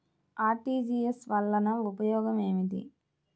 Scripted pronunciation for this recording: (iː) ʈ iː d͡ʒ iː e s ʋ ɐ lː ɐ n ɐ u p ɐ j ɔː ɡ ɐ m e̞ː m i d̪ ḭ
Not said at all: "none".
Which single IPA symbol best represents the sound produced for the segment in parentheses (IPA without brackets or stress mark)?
aː